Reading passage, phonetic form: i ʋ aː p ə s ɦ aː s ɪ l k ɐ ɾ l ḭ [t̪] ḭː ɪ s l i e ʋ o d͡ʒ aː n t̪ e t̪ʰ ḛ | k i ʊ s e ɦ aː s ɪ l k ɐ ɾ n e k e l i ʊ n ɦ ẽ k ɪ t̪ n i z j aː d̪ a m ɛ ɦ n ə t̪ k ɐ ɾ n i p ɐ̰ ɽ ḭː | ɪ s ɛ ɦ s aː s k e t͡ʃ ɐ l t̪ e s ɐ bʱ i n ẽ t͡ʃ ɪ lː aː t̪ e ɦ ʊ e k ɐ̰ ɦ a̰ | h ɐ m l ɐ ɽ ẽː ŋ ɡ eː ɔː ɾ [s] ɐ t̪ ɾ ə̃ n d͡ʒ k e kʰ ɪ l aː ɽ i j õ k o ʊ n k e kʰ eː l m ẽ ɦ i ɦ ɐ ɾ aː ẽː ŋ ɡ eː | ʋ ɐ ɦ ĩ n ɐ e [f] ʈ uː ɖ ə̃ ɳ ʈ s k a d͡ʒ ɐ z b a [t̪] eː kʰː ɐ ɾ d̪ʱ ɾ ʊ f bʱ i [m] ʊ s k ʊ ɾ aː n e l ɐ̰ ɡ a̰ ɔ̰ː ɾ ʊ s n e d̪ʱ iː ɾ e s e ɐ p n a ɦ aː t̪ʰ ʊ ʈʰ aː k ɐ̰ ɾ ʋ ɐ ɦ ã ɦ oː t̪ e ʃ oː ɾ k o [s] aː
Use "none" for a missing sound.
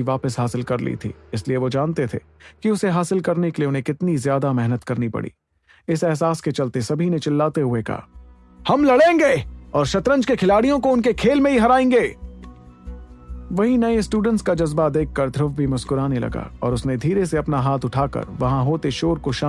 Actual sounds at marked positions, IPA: t̪ʰ, ʃ, s, d̪, m, ʃ

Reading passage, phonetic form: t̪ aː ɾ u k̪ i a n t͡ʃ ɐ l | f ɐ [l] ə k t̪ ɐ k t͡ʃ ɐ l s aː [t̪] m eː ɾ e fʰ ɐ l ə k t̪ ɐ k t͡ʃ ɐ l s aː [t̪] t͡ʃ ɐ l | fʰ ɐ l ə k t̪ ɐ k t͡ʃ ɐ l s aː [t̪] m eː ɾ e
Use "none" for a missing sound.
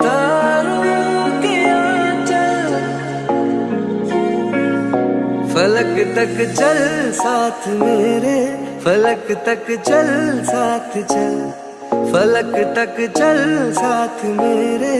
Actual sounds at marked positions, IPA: l, t̪ʰ, t̪ʰ, t̪ʰ

